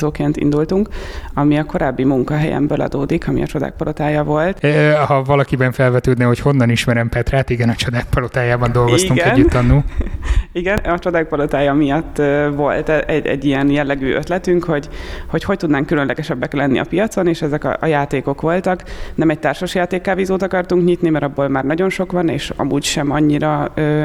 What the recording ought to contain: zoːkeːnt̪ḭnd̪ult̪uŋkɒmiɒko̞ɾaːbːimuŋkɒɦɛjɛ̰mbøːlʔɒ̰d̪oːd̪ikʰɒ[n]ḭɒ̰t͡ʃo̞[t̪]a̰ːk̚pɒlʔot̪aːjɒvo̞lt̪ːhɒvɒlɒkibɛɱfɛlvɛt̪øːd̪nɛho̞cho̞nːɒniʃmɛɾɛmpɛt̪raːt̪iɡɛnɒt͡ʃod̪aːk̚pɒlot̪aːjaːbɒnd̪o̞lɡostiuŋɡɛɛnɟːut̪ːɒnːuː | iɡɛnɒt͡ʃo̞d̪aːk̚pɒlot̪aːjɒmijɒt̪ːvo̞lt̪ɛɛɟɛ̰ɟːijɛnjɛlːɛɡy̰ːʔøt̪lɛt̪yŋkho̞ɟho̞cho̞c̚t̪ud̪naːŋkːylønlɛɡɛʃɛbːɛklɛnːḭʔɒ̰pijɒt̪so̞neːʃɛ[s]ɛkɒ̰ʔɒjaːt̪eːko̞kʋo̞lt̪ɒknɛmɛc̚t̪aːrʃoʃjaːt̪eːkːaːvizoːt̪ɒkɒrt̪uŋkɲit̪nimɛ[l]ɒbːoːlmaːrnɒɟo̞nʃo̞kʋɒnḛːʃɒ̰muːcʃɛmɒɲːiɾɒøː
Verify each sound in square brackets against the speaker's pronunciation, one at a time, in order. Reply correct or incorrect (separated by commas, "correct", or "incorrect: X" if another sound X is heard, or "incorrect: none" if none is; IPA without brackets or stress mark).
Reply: incorrect: m, incorrect: d̪, incorrect: z, incorrect: ɾ